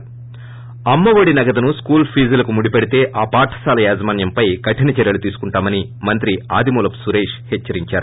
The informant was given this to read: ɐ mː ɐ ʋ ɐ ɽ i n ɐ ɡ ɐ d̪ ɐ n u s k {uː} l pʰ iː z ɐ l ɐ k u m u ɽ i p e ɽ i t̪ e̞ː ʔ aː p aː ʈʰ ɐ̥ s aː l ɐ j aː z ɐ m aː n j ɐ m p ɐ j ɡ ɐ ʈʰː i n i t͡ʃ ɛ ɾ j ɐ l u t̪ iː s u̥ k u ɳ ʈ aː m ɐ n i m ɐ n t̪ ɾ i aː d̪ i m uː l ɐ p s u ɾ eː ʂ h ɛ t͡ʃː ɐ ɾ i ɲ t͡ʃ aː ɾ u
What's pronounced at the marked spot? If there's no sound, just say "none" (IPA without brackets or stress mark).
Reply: uː